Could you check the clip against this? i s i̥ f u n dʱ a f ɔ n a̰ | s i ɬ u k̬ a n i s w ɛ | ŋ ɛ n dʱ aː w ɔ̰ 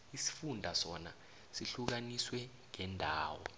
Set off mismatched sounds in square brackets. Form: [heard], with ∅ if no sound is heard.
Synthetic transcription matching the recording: i s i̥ f u n dʱ a [s] ɔ n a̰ | s i ɬ u k̬ a n i s w ɛ | ŋ ɛ n dʱ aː w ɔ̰